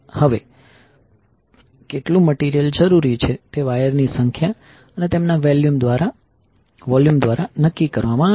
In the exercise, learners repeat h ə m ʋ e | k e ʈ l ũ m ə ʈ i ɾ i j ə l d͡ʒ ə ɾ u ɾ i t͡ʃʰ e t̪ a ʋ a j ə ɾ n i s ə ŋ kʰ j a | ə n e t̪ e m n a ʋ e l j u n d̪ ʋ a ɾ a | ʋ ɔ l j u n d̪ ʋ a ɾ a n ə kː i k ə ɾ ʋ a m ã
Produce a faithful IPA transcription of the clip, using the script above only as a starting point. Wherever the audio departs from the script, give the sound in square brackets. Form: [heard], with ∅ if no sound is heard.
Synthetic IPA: h ə [∅] ʋ e | k e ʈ l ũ m ə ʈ i ɾ i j ə l d͡ʒ ə ɾ u ɾ i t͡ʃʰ e t̪ [e] ʋ a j ə ɾ n i s ə ŋ kʰ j a | ə n e t̪ e m n a ʋ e l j u [m] d̪ ʋ a ɾ a | ʋ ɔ l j u [m] d̪ ʋ a ɾ a n ə kː i k ə ɾ ʋ a m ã